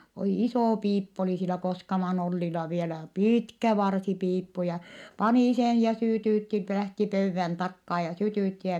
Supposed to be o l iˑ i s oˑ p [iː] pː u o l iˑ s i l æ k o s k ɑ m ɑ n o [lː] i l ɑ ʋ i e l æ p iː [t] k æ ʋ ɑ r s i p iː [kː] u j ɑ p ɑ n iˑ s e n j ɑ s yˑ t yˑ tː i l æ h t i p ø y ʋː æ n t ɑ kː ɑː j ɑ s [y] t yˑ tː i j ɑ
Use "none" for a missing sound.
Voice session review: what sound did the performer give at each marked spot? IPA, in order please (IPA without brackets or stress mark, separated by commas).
iː, lː, t, pː, y